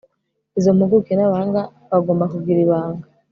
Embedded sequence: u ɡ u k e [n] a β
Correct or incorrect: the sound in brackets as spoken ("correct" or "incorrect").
correct